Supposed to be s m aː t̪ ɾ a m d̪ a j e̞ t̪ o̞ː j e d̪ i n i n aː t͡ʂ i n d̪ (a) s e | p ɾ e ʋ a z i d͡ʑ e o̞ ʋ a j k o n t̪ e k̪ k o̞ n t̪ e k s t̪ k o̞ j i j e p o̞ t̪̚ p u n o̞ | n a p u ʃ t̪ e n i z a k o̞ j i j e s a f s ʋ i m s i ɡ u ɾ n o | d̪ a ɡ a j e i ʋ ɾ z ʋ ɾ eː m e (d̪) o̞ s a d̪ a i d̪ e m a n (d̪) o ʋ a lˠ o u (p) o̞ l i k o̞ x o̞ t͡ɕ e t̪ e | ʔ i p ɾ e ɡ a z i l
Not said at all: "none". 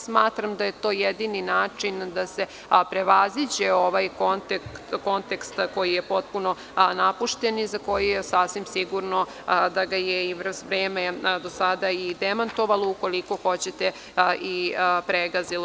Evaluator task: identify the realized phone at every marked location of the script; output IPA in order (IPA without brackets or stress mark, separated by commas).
a, d̪, t̪, k